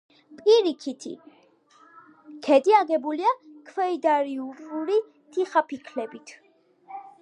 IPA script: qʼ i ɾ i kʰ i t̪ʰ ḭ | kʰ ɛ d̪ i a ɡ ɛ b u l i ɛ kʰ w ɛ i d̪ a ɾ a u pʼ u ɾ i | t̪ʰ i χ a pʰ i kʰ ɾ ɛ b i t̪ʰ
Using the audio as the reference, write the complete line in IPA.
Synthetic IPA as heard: pʼ i ɾ i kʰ i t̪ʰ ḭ | kʰ ɛ d̪ i a ɡ ɛ b u l i a kʰ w ɛ i d̪ a ɾ i u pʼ u ɾ i | t̪ʰ i χ a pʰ i kʰ l ɛ b i t̪ʰ

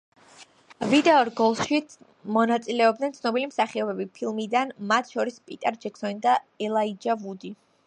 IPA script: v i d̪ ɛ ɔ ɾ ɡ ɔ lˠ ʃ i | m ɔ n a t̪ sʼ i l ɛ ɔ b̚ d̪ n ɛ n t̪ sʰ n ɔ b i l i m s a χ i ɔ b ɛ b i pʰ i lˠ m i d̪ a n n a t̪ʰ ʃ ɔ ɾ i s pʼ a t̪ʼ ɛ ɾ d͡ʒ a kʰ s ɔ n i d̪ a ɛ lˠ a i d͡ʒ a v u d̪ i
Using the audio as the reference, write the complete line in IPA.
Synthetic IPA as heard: v i d̪ ɛ ɔ ɾ ɡ ɔ lˠ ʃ i | m ɔ n a t̪ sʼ i l ɛ ɔ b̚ d̪ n ɛ n t̪ sʰ n ɔ b i l i m s a χ i ɔ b ɛ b i pʰ i lˠ m i d̪ a n m a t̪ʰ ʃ ɔ ɾ i s pʼ i t̪ʼ ɛ ɾ d͡ʒ ɛ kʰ s ɔ n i d̪ a ɛ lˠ a i d͡ʒ a v u d̪ i

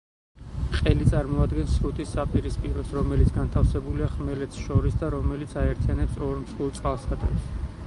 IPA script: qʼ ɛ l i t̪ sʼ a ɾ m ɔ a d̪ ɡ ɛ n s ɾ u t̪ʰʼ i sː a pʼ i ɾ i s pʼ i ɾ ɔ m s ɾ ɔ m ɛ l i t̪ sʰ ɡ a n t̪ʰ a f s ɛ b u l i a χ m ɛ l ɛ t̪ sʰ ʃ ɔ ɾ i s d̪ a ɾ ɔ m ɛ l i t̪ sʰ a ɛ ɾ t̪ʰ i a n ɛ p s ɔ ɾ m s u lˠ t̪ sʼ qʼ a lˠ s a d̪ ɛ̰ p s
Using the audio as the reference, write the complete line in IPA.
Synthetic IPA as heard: qʼ ɛ l i t̪ sʼ a ɾ m ɔ a d̪ ɡ ɛ n s ɾ u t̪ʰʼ i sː a pʼ i ɾ i s pʼ i ɾ ɔ s ɾ ɔ m ɛ l i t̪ sʰ ɡ a n t̪ʰ a f s ɛ b u l i a χ m ɛ l ɛ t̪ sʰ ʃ ɔ ɾ i s d̪ a ɾ ɔ m ɛ l i t̪ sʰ a ɛ ɾ t̪ʰ i a n ɛ p s ɔ ɾ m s u lˠ t̪ sʼ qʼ a lˠ s a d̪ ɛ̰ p s

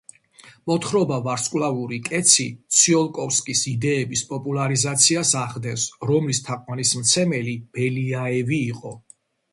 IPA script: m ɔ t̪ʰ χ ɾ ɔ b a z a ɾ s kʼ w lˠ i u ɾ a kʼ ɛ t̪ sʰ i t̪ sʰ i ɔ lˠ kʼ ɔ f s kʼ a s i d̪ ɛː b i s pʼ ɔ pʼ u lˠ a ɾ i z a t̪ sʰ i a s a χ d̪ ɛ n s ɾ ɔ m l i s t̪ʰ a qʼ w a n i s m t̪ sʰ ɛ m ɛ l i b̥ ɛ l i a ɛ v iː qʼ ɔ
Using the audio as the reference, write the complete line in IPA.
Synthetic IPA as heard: m ɔ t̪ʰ χ ɾ ɔ b a v a ɾ s kʼ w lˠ a u ɾ i kʼ ɛ t̪ sʰ i t̪ sʰ i ɔ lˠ kʼ ɔ f s kʼ i s i d̪ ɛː b i s pʼ ɔ pʼ u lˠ a ɾ i z a t̪ sʰ i a s a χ d̪ ɛ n s ɾ ɔ m l i s t̪ʰ a qʼ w a n i s m t̪ sʰ ɛ m ɛ l i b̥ ɛ l i a ɛ v iː qʼ ɔ

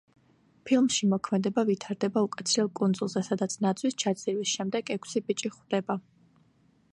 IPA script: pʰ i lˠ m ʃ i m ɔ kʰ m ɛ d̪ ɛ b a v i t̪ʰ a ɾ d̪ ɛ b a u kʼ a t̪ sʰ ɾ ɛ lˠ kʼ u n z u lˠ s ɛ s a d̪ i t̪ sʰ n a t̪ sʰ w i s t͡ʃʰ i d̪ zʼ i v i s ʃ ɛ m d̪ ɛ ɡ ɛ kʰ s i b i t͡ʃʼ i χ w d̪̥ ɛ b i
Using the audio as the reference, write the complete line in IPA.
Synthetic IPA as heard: pʰ i lˠ m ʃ i m ɔ kʰ m ɛ d̪ ɛ b a v i t̪ʰ a ɾ d̪ ɛ b a u kʼ a t̪ sʰ ɾ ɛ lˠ kʼ u n z u lˠ z ɛ s a d̪ a t̪ sʰ n a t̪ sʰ w i s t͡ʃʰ a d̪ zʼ i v i s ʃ ɛ m d̪ ɛ ɡ ɛ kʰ s i b i t͡ʃʼ i χ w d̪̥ ɛ b a

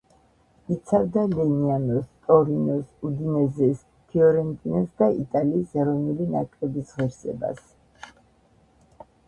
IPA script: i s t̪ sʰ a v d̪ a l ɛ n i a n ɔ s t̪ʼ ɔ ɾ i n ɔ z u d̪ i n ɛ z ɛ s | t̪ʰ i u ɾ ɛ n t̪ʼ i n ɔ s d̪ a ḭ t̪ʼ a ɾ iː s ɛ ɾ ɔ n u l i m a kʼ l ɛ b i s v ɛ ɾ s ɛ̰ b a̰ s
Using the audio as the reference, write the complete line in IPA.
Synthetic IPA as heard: i t̪ sʰ a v d̪ a l ɛ n i a n ɔ s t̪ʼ ɔ ɾ i n ɔ s u d̪ i n ɛ z ɛ s | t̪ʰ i ɔ ɾ ɛ n t̪ʼ i n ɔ s d̪ a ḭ t̪ʼ a l iː s ɛ ɾ ɔ n u l i n a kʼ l ɛ b i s ʁ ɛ ɾ s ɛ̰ b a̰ s

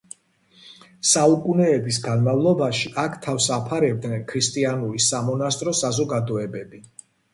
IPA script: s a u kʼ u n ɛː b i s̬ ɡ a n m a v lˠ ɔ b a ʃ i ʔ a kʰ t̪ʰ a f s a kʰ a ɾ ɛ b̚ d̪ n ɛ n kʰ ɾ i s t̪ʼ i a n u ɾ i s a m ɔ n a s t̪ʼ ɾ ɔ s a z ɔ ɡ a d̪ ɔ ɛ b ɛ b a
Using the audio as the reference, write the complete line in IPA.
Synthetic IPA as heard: s a u kʼ u n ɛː b i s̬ ɡ a n m a v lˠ ɔ b a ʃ i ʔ a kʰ t̪ʰ a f s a pʰ a ɾ ɛ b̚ d̪ n ɛ n kʰ ɾ i s t̪ʼ i a n u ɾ i s a m ɔ n a s t̪ʼ ɾ ɔ s a z ɔ ɡ a d̪ ɔ ɛ b ɛ b i

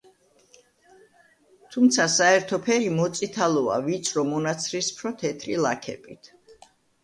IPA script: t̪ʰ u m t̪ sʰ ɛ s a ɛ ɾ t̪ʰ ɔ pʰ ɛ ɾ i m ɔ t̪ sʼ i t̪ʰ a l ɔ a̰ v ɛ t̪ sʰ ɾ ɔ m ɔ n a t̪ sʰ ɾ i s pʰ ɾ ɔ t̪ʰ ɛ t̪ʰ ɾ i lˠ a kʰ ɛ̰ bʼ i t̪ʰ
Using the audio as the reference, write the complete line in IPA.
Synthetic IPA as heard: t̪ʰ u m t̪ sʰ a s a ɛ ɾ t̪ʰ ɔ pʰ ɛ ɾ i m ɔ t̪ sʼ i t̪ʰ a l ɔ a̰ v i t̪ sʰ ɾ ɔ m ɔ n a t̪ sʰ ɾ i s pʰ ɾ ɔ t̪ʰ ɛ t̪ʰ ɾ i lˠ a kʰ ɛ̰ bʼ i t̪ʰ

